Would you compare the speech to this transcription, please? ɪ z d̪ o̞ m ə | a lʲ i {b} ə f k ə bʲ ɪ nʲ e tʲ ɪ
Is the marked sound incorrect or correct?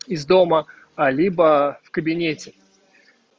correct